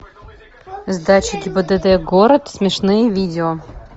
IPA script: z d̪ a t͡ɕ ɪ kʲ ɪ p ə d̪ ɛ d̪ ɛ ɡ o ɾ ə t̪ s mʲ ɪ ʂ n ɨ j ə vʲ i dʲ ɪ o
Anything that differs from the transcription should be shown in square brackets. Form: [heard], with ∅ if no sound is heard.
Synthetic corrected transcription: z d̪ a t͡ɕ ɪ [ɡʲ] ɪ [b] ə d̪ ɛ d̪ ɛ ɡ o ɾ ə t̪ s mʲ ɪ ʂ n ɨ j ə vʲ i dʲ ɪ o